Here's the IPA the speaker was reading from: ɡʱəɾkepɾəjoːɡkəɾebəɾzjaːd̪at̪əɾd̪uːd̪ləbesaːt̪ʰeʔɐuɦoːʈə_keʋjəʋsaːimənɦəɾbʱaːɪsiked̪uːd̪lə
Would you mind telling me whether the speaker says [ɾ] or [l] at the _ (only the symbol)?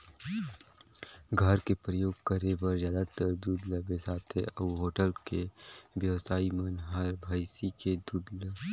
l